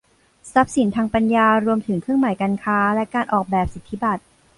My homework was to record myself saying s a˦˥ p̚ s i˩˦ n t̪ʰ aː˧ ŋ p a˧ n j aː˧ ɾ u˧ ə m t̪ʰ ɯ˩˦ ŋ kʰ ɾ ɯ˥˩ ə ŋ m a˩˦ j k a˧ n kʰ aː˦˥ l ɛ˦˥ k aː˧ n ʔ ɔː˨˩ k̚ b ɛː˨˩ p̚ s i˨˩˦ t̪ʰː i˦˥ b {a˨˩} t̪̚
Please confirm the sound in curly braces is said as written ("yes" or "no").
yes